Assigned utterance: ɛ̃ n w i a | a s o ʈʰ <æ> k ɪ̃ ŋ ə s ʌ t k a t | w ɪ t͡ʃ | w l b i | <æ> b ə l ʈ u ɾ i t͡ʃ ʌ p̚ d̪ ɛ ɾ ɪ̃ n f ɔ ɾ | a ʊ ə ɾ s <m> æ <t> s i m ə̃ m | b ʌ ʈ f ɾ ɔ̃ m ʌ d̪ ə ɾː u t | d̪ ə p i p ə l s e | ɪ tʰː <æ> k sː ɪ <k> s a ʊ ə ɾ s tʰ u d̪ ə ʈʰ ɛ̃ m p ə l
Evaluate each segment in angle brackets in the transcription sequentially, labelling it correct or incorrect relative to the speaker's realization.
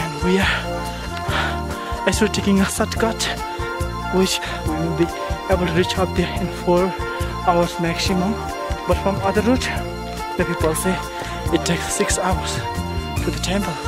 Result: incorrect: e, incorrect: e, correct, incorrect: k, incorrect: e, correct

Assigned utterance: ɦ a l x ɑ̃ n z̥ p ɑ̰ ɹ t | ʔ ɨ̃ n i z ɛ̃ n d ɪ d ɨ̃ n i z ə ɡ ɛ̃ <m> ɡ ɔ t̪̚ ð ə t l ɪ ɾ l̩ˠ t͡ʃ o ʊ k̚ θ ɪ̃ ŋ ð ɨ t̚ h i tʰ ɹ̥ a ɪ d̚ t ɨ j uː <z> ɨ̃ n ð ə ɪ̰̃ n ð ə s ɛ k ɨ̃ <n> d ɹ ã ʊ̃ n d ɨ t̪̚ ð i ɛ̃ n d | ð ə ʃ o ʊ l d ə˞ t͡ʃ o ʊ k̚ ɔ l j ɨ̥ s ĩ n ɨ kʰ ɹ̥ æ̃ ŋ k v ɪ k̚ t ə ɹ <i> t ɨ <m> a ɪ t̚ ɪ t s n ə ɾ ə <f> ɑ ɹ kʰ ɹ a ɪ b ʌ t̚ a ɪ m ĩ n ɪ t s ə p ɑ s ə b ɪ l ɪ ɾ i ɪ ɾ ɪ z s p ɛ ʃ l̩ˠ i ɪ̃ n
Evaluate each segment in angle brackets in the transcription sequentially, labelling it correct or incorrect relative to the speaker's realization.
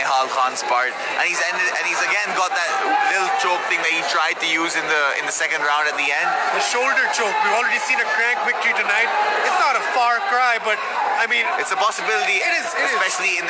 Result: incorrect: n, correct, correct, correct, incorrect: n, correct

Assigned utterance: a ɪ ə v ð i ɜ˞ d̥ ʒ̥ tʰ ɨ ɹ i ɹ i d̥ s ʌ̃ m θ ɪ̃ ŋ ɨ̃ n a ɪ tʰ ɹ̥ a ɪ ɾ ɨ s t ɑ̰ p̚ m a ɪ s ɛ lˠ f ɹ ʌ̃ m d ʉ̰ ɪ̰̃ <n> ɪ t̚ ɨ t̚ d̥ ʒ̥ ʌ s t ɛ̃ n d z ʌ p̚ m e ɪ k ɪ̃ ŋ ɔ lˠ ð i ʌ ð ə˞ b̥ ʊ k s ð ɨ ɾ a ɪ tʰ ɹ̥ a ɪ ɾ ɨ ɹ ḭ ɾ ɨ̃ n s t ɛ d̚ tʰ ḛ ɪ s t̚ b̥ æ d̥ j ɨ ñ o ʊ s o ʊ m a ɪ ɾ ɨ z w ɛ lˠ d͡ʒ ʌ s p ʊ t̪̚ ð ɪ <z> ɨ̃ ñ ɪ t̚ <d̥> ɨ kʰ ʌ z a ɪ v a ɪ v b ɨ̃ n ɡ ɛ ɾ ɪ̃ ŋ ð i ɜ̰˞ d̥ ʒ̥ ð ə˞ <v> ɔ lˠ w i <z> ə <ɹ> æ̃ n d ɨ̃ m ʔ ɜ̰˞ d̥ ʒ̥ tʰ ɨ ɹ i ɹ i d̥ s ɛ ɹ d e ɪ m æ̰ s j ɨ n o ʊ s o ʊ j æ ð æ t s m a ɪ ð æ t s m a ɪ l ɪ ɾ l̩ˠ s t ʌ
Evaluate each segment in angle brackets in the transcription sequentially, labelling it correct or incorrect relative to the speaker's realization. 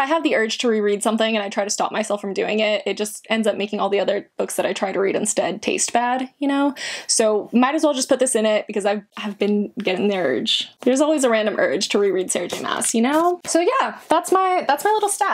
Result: incorrect: ŋ, incorrect: s, incorrect: b̥, incorrect: z, correct, correct

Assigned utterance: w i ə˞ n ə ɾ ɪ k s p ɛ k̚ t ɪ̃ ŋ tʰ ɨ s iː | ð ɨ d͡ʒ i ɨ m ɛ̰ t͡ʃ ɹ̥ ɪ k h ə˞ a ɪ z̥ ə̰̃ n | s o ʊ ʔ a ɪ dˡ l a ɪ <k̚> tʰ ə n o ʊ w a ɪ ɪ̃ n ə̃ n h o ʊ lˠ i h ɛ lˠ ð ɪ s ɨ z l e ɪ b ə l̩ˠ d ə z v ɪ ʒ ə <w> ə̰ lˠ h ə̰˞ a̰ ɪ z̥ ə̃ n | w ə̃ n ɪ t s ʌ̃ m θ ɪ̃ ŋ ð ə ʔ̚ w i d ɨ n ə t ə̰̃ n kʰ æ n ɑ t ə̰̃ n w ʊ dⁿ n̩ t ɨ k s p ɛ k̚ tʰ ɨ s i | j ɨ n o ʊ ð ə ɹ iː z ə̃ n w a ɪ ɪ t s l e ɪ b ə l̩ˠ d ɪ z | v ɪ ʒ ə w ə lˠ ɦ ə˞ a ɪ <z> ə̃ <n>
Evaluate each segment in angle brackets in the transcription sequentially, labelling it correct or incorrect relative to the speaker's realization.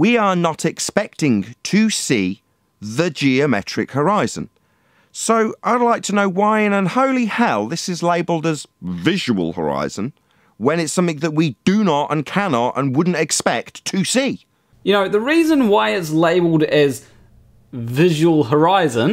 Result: correct, correct, correct, correct

